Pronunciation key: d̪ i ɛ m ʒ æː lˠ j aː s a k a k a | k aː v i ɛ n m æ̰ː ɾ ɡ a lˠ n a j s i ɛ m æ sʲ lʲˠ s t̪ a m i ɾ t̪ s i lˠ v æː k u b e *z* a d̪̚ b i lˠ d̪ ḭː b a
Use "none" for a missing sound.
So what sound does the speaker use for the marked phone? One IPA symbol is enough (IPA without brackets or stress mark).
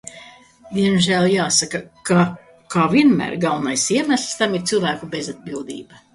z